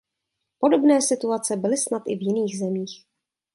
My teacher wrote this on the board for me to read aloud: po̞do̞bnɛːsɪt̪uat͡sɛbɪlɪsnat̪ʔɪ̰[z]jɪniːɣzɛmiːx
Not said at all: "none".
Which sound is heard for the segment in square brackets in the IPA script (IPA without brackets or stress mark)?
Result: v